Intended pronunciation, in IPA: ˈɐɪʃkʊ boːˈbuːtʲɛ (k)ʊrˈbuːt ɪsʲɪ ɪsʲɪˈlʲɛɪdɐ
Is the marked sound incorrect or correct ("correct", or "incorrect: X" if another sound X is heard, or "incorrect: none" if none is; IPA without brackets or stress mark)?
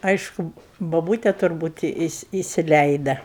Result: incorrect: t